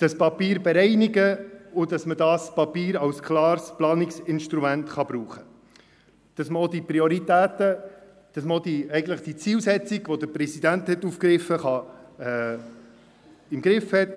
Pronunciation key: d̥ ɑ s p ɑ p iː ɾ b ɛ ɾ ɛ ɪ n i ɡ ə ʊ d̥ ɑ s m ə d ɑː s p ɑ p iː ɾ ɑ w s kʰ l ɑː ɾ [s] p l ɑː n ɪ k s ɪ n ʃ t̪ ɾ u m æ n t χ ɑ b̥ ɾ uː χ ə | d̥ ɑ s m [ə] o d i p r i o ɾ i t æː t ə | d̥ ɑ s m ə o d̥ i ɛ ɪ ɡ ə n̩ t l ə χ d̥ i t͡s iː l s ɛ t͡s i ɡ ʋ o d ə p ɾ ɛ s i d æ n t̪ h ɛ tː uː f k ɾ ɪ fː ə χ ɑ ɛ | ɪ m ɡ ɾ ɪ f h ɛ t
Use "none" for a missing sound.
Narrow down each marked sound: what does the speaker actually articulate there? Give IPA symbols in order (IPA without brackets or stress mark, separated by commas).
s, ə